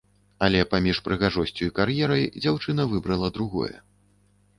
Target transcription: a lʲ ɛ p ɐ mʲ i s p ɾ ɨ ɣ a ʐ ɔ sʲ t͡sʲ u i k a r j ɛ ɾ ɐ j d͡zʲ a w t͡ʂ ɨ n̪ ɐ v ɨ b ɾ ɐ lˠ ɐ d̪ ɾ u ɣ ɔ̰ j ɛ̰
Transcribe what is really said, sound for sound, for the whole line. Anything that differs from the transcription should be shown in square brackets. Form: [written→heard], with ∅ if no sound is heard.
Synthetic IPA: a lʲ ɛ p [ɐ→a] mʲ i [s→ʂ] p ɾ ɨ ɣ a ʐ ɔ sʲ t͡sʲ u i k a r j ɛ ɾ ɐ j d͡zʲ a w t͡ʂ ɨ n̪ ɐ v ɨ b ɾ ɐ lˠ ɐ d̪ ɾ u ɣ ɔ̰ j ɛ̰